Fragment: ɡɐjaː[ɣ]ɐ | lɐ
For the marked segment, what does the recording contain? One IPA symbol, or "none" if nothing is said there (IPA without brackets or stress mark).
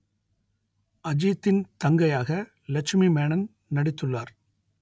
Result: ɣ